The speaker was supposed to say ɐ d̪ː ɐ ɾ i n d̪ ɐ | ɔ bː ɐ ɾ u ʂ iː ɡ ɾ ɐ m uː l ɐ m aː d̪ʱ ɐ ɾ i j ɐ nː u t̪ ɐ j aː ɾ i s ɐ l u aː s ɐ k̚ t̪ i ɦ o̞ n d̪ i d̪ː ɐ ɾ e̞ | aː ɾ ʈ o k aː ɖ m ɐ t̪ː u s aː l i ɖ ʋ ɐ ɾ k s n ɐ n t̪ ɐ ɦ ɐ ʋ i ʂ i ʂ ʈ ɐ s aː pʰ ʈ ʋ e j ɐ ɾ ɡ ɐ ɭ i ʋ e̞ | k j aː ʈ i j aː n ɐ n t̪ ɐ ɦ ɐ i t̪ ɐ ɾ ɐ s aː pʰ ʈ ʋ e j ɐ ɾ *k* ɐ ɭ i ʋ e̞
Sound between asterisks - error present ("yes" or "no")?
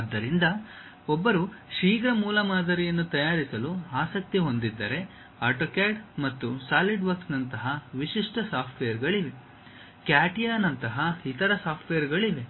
yes